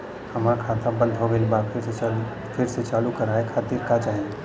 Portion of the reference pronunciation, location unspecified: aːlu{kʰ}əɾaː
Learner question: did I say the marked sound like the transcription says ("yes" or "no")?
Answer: no